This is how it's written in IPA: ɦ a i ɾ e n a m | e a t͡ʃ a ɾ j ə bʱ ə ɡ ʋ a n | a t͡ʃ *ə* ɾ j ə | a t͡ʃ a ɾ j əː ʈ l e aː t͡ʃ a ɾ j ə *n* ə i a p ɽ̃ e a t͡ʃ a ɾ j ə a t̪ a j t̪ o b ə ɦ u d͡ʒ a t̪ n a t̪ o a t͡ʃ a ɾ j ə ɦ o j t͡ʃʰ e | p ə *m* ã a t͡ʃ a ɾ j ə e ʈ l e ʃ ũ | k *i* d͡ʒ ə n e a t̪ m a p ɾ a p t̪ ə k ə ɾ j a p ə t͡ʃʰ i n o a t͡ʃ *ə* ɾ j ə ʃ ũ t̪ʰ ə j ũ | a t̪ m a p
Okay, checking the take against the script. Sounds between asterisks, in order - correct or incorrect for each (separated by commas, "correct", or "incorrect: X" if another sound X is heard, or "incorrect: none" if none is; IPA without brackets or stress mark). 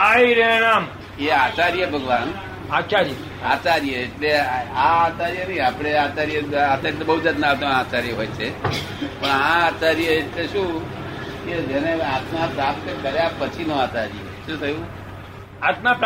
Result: incorrect: a, correct, incorrect: ɳ, incorrect: e, incorrect: a